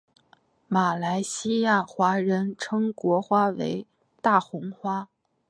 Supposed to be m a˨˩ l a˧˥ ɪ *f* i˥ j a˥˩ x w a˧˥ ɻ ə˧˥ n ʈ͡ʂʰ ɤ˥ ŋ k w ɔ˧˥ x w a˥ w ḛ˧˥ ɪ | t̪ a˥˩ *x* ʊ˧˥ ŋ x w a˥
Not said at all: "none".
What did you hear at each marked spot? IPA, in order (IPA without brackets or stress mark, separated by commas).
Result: ɕ, x